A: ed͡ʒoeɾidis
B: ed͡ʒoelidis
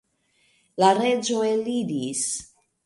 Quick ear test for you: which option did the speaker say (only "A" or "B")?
B